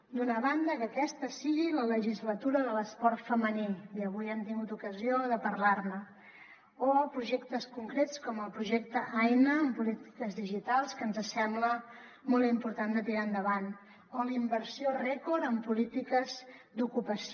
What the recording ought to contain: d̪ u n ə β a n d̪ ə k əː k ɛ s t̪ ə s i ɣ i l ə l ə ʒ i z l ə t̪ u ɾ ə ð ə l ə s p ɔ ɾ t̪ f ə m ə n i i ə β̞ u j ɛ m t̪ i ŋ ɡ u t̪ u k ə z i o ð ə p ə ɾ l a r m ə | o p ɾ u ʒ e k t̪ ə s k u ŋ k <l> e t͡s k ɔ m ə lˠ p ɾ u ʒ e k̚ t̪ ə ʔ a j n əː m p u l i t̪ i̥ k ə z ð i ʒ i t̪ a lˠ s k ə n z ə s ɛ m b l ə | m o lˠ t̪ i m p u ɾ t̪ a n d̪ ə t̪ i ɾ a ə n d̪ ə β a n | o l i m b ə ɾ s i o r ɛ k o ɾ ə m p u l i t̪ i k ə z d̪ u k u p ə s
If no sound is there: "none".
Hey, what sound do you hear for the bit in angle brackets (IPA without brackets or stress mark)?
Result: ɾ